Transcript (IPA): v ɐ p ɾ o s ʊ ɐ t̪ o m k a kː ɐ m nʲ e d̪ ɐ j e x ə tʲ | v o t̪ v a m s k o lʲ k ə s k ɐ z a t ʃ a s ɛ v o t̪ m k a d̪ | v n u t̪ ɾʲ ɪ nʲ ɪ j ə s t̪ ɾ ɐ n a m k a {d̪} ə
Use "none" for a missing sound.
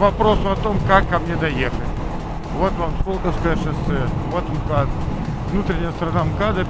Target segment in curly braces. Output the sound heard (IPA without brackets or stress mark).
d̪